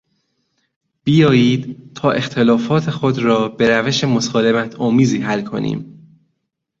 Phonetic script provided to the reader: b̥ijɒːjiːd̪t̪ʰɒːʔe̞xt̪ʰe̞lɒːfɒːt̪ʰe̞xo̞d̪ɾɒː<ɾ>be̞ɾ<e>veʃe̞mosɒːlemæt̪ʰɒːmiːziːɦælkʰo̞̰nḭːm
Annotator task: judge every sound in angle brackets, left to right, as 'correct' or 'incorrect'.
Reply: incorrect: none, incorrect: æ

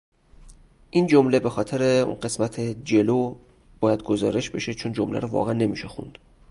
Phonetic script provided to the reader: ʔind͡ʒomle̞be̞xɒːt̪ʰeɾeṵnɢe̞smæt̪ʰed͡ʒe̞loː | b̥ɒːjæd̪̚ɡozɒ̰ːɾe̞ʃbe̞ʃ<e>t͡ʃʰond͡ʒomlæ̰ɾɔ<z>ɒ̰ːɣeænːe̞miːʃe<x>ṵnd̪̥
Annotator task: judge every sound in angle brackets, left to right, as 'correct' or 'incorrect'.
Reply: correct, incorrect: v, correct

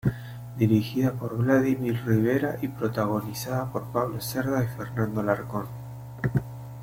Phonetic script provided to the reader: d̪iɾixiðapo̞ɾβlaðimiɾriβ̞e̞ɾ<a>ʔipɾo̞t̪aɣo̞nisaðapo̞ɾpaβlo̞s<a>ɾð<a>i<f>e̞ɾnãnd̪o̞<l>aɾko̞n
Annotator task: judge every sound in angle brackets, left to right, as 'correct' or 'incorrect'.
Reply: correct, incorrect: e, correct, correct, correct

